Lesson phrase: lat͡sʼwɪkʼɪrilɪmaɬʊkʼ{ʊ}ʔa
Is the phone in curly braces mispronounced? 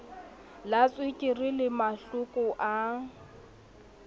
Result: no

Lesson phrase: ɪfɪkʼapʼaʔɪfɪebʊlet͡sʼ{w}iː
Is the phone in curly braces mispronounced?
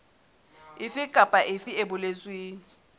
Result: no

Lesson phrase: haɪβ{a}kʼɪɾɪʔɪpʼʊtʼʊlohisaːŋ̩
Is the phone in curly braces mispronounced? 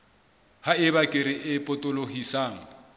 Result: no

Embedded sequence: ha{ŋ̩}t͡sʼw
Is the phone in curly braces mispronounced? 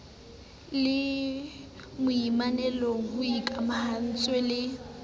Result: yes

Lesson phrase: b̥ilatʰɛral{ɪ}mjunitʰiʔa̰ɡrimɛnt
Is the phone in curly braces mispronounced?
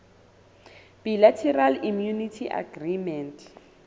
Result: yes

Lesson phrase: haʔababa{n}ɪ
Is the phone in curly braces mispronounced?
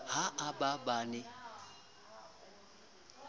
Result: no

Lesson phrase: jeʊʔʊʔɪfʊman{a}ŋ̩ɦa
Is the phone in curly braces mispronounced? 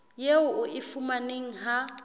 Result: yes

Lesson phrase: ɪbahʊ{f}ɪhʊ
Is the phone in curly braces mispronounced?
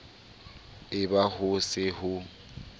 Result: yes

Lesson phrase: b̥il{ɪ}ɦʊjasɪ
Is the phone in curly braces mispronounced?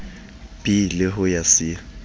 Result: no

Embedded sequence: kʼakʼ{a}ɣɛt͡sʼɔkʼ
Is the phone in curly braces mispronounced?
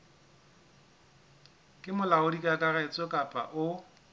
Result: no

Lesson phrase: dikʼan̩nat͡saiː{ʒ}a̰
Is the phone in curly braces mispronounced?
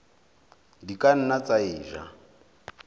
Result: no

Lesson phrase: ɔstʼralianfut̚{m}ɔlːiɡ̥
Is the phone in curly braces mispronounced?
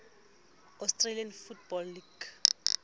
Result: yes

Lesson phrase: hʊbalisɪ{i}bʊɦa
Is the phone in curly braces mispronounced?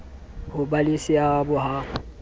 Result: yes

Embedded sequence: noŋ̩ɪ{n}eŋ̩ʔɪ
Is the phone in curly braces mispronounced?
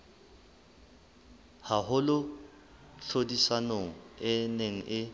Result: no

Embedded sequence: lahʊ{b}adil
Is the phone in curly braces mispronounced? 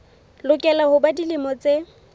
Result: no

